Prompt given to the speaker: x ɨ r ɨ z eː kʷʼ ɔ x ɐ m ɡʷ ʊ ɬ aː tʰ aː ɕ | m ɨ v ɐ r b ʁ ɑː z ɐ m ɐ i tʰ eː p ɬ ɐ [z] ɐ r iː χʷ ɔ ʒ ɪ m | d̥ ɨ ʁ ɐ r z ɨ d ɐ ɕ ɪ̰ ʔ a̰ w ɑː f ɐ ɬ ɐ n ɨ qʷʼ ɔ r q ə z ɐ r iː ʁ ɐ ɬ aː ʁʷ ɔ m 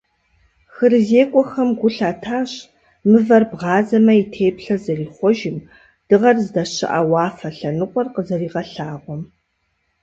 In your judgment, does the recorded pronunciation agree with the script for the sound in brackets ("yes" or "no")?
yes